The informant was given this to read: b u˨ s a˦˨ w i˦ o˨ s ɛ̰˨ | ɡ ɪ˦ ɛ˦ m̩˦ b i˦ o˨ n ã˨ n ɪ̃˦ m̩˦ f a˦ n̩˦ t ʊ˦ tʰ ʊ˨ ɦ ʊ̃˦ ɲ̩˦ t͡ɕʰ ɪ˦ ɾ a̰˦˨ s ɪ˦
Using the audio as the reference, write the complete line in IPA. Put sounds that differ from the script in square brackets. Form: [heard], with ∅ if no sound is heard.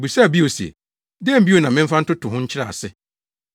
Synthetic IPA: b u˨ s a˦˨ [b] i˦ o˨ s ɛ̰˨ | [d] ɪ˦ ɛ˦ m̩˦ b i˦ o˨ n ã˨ [m] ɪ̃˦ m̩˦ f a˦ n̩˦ t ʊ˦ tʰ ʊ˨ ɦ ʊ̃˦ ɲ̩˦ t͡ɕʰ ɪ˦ ɾ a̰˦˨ s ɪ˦